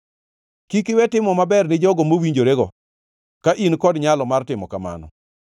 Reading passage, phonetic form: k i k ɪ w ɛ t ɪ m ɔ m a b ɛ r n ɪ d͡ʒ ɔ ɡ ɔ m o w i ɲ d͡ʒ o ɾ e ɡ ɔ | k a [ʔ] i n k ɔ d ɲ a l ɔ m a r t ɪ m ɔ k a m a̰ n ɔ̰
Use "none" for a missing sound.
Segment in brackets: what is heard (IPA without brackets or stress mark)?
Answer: ʔ